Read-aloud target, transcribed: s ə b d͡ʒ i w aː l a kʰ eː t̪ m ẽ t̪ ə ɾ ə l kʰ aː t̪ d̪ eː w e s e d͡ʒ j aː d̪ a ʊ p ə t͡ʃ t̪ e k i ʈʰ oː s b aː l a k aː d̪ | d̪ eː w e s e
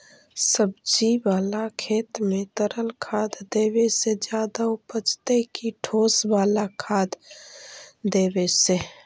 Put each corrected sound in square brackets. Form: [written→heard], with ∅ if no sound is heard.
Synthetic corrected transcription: s ə b d͡ʒ i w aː l a kʰ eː t̪ m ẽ t̪ ə ɾ ə l kʰ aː [t̪→d̪] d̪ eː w e s e d͡ʒ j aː d̪ a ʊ p ə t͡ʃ t̪ e k i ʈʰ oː s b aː l a [k→kʰ] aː d̪ | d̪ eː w e s e